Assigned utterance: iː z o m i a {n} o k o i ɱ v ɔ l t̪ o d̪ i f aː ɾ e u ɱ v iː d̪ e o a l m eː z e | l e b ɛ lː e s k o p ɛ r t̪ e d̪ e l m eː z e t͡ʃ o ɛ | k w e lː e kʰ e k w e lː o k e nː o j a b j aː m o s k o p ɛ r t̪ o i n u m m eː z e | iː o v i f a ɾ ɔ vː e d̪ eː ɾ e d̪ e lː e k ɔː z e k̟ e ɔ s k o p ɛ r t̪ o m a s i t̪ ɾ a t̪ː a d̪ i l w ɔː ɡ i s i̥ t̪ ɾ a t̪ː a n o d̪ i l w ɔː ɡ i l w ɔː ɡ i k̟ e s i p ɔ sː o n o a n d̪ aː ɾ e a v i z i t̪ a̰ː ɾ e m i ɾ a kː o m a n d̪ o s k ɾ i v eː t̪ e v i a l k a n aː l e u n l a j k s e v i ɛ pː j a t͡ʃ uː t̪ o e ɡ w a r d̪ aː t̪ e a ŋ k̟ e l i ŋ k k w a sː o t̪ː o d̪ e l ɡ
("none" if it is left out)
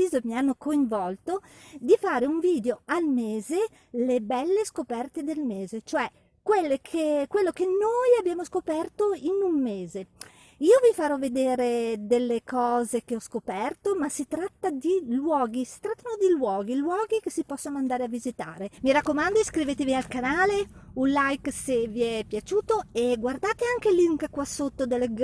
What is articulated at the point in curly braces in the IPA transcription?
nː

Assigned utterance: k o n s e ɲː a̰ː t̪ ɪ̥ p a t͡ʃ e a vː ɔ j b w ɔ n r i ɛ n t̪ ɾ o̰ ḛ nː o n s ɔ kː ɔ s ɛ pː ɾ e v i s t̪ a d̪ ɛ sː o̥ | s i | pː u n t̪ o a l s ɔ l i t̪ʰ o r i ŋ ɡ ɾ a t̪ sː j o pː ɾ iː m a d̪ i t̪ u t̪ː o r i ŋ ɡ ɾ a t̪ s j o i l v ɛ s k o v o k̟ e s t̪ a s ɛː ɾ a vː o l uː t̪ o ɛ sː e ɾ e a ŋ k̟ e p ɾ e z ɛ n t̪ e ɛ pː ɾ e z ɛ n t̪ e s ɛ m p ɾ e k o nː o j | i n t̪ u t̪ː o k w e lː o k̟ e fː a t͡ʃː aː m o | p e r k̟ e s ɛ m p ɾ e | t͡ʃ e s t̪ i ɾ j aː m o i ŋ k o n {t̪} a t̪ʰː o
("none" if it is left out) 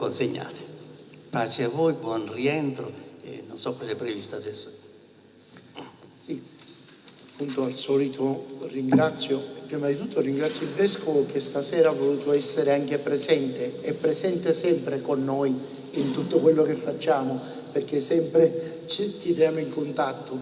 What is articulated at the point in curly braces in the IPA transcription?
t̪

